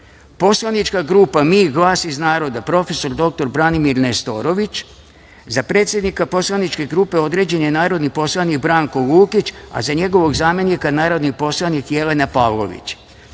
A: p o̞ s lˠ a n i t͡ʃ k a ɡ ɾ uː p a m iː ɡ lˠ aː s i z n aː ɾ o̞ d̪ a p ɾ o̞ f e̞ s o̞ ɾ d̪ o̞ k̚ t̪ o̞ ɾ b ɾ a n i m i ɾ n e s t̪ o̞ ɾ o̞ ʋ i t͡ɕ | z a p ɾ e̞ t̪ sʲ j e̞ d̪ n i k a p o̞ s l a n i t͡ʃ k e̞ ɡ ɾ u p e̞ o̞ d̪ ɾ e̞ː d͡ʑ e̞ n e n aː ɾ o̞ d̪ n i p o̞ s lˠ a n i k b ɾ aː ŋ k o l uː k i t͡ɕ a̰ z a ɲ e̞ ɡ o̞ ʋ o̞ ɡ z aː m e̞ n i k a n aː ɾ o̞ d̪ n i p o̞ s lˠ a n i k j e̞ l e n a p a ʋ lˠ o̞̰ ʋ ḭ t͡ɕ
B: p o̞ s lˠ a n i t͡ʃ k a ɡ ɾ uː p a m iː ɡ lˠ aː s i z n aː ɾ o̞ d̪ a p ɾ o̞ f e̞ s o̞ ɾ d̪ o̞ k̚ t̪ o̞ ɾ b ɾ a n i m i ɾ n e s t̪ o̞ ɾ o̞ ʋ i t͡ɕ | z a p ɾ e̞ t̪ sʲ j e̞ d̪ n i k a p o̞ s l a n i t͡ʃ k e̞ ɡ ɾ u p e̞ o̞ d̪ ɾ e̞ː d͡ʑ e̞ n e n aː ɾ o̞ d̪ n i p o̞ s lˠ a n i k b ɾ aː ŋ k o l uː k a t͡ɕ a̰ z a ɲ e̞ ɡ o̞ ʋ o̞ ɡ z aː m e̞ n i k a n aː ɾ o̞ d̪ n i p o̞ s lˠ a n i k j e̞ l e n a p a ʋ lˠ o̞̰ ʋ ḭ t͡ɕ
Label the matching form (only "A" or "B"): A